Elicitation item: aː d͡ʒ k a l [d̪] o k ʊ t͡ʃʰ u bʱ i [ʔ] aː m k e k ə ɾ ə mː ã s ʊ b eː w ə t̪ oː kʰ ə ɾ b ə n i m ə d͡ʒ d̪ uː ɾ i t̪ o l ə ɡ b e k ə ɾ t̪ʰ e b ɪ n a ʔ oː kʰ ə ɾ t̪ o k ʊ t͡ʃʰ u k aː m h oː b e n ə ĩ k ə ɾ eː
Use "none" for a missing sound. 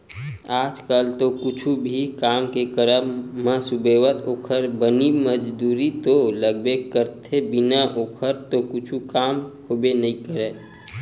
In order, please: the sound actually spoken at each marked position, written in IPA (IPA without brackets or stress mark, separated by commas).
t̪, k